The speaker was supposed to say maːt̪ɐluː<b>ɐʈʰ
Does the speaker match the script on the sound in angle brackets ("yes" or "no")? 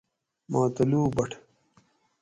yes